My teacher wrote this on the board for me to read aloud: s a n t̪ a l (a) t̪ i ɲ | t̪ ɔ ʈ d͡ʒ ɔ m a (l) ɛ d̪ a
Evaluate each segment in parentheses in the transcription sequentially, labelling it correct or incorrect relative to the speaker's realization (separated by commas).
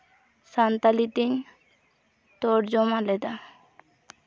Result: incorrect, correct